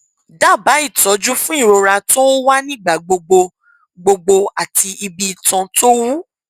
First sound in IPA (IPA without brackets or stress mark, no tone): d